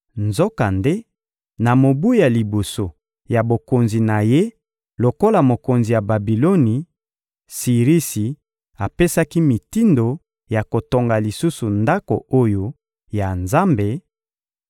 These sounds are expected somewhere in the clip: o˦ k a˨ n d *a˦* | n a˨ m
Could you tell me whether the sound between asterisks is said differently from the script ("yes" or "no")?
yes